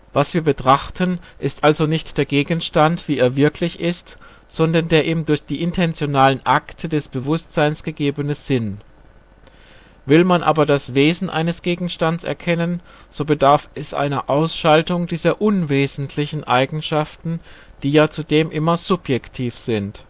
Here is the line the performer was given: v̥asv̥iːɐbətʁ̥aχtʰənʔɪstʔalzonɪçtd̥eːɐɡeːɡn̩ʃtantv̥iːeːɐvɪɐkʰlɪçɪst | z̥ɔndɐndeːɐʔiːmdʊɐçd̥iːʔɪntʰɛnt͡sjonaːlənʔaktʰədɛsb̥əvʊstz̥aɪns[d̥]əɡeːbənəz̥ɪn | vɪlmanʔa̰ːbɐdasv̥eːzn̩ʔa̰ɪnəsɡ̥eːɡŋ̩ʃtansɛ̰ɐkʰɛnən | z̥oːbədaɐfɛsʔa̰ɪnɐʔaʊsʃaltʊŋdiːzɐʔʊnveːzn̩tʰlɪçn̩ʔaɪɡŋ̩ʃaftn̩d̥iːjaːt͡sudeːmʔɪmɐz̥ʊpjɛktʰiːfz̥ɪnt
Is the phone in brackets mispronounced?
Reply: yes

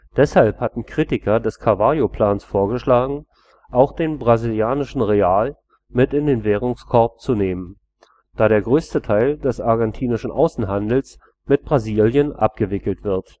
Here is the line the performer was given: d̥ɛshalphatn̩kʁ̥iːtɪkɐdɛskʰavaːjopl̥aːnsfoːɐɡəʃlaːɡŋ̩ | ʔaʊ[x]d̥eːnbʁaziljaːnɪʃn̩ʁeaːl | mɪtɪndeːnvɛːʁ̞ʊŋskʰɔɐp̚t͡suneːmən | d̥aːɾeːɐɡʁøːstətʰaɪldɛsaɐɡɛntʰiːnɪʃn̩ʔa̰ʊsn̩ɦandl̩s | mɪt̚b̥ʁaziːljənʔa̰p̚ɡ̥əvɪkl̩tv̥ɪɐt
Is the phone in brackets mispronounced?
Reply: no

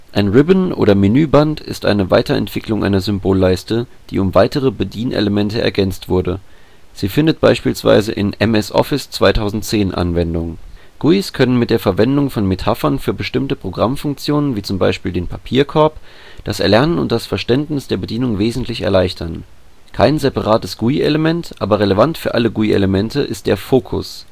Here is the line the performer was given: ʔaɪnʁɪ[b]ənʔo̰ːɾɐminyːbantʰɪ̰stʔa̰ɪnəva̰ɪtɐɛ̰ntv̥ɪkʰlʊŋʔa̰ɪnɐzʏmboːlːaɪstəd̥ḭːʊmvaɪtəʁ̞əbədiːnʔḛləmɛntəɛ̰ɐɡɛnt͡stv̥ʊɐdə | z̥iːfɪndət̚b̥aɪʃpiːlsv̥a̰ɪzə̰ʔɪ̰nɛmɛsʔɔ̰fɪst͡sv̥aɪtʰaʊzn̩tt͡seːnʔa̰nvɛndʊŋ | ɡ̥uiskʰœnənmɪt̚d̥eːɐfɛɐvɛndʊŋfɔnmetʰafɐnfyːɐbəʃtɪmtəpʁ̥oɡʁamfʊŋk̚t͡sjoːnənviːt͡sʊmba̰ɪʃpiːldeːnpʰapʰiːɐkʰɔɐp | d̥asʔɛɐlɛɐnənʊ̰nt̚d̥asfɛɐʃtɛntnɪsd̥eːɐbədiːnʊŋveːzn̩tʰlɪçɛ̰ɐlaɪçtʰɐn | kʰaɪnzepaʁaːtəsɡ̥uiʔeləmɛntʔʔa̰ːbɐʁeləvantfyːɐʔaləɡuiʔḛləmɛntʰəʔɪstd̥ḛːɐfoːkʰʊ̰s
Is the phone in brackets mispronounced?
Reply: no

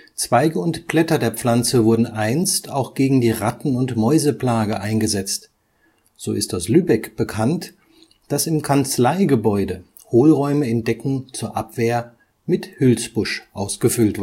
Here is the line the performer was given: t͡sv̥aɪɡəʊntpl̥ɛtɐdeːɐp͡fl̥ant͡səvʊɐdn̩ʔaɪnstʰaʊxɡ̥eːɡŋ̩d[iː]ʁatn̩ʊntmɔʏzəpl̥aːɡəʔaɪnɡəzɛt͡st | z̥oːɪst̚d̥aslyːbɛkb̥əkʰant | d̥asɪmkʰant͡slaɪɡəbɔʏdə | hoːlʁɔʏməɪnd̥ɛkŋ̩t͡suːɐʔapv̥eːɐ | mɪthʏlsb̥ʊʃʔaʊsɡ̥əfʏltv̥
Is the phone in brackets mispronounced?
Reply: no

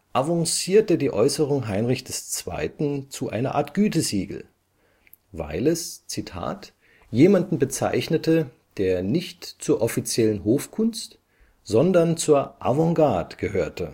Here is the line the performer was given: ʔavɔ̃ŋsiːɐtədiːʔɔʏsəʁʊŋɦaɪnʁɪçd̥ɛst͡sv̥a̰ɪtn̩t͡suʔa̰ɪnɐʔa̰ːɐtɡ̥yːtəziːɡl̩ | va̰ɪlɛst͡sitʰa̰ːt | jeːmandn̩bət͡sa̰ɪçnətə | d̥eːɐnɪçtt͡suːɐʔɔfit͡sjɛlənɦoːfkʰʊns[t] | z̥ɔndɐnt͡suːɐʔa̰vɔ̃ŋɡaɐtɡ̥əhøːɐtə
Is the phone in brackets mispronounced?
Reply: no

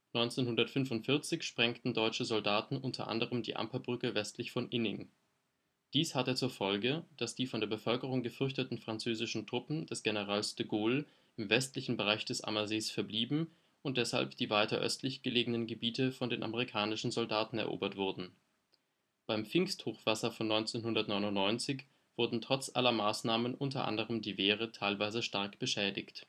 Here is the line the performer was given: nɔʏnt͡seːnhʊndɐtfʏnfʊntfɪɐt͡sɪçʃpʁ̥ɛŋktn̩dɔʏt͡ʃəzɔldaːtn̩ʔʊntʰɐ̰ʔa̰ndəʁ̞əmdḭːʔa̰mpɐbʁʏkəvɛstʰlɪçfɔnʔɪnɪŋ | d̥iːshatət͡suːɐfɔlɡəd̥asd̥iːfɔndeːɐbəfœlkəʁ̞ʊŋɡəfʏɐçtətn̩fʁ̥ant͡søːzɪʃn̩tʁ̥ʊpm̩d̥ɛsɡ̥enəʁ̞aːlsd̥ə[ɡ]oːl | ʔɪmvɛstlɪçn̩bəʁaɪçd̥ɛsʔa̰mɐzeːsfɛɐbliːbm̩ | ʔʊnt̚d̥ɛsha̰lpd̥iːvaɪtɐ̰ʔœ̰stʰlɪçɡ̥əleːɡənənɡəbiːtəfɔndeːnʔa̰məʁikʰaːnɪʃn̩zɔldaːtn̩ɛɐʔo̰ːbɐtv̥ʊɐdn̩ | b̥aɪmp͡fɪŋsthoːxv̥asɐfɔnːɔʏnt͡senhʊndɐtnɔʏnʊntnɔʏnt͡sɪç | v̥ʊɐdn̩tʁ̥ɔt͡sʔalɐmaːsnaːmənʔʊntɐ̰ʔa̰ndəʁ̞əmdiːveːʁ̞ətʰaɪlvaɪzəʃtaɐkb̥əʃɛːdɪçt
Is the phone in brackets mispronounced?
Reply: no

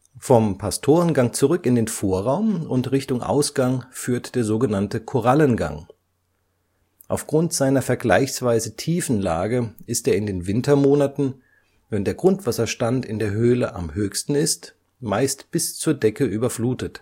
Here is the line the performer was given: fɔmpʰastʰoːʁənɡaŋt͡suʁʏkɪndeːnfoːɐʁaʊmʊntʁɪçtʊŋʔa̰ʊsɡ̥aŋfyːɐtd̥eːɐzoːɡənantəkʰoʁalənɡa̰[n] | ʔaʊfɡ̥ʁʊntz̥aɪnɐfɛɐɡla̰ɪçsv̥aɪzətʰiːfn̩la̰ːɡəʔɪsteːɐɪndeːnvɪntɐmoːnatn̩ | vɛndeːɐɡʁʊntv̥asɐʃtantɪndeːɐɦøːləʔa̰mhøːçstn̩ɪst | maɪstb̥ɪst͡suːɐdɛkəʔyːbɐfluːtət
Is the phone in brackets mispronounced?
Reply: yes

